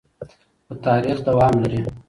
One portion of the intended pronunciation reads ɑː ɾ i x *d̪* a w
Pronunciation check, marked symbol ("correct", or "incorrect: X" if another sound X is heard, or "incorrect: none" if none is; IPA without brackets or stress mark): correct